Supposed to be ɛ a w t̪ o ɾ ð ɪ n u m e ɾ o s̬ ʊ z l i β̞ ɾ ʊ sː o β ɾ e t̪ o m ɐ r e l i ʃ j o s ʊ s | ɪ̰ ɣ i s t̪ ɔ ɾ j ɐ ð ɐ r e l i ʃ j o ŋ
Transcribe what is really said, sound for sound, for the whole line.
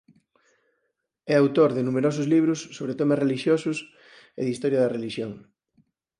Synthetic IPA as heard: ɛ a w t̪ o ɾ ð ɪ n u m e ɾ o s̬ ʊ z l i β̞ ɾ ʊ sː o β ɾ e t̪ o m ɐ r e l i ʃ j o s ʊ s | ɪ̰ ð i s t̪ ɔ ɾ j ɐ ð ɐ r e l i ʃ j o ŋ